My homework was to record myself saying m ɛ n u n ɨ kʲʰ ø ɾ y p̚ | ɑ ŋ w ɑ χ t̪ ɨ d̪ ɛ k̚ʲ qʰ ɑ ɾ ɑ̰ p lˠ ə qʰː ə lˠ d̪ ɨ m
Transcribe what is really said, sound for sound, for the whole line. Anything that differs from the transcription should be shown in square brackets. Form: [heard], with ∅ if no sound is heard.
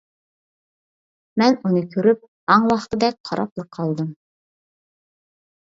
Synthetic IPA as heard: m ɛ n u n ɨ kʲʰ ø ɾ y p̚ | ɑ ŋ w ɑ χ t̪ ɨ d̪ ɛ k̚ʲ qʰ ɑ ɾ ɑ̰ p lˠ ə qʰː [ɑ] lˠ d̪ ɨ m